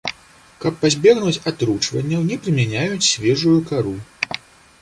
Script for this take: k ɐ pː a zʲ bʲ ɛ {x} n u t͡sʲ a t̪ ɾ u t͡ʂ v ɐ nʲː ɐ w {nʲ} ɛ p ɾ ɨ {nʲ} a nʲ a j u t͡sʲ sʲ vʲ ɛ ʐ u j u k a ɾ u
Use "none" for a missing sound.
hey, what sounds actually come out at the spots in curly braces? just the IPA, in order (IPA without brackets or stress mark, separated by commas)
ɣ, nʲ, mʲ